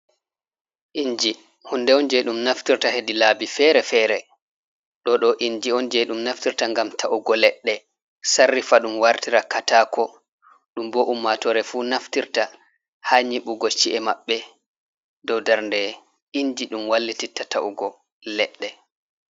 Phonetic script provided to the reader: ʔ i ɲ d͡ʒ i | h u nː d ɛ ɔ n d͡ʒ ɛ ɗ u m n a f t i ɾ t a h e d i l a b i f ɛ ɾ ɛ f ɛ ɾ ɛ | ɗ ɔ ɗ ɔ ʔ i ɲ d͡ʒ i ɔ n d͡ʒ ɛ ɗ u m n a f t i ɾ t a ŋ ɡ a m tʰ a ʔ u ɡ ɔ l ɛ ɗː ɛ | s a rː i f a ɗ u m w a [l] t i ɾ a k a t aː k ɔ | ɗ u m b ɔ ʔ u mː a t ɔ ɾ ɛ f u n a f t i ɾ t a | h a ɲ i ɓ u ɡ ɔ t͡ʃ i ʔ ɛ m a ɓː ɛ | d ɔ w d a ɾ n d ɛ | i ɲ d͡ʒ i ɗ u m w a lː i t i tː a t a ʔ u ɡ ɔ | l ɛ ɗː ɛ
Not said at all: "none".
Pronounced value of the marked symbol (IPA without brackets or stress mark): ɾ